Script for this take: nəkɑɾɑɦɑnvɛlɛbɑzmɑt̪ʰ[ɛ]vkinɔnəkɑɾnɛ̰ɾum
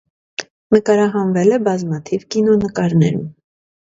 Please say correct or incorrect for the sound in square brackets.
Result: incorrect